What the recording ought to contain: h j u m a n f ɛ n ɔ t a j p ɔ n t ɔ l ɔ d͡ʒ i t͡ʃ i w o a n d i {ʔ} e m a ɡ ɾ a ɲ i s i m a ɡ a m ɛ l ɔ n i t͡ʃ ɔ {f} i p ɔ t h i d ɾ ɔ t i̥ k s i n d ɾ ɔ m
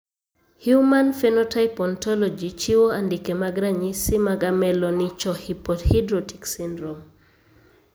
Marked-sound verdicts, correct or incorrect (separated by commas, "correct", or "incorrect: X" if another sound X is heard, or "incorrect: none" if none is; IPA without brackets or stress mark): incorrect: k, incorrect: h